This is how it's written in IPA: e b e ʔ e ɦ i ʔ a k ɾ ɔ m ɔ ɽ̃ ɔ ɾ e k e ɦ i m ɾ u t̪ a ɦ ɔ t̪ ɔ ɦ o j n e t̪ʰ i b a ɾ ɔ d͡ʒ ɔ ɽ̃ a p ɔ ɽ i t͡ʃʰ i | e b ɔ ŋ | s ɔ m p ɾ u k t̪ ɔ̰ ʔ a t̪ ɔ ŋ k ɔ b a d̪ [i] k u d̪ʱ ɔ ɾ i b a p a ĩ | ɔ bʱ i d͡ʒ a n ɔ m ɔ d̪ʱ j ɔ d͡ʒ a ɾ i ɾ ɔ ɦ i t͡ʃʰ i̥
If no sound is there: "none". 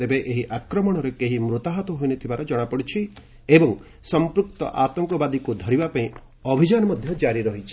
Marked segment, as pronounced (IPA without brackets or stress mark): i